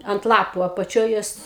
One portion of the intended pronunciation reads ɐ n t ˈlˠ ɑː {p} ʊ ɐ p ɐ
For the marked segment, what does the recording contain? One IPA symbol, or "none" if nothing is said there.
p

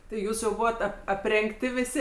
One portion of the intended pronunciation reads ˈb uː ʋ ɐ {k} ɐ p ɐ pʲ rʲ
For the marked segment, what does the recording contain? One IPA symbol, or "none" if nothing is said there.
t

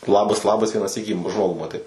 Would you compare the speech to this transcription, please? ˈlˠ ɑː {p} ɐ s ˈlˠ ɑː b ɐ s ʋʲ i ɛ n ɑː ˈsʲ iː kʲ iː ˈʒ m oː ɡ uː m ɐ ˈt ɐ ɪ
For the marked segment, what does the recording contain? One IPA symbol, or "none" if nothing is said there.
b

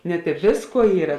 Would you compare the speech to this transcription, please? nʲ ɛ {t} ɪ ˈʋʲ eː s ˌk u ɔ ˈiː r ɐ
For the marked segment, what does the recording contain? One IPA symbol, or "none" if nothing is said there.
t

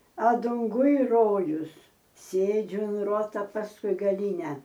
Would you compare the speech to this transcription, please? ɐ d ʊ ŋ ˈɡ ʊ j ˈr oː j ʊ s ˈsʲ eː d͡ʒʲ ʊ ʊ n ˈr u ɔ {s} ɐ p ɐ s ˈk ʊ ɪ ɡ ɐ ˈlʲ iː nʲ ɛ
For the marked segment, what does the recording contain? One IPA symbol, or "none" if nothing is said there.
t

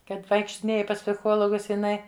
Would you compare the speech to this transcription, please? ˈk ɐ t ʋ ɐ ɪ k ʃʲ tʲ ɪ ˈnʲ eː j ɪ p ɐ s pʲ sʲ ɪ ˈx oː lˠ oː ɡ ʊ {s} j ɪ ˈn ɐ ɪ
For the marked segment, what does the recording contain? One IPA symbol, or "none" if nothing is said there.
s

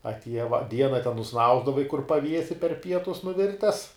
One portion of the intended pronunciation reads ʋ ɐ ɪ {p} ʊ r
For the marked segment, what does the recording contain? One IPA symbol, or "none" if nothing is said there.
k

